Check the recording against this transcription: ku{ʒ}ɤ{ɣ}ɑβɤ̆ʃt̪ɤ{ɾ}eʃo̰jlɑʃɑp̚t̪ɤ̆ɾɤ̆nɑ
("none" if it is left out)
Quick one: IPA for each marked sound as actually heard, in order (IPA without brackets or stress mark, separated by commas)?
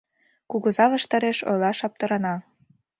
ɣ, z, ɾ